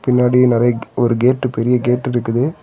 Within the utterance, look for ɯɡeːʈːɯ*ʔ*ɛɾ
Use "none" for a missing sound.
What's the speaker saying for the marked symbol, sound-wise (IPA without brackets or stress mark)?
p